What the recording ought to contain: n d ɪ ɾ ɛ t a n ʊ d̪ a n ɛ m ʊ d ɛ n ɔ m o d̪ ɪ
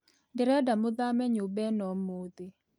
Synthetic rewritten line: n d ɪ ɾ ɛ d a m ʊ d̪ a m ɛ ɲ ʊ b ɛ n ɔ m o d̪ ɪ